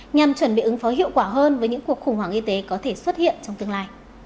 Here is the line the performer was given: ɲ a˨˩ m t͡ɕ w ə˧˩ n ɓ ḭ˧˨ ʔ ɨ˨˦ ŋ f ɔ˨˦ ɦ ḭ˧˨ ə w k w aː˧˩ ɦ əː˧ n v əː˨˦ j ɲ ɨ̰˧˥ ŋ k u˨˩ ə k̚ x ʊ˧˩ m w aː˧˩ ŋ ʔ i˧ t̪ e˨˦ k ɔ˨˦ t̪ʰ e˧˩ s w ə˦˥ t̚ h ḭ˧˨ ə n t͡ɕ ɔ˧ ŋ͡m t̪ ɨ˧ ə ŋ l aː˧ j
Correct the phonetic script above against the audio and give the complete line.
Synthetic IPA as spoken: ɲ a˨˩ m t͡ɕ w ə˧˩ n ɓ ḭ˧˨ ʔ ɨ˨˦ ŋ f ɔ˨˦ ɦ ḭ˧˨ ə w k w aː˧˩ ɦ əː˧ n v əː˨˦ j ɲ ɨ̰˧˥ ŋ k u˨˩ ə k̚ x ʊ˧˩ ŋ͡m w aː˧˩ ŋ ʔ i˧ t̪ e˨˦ k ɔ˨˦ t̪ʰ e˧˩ s w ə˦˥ t̚ h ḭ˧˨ ə n t͡ɕ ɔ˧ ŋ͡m t̪ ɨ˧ ə ŋ l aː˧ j